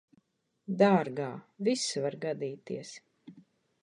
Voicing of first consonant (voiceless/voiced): voiced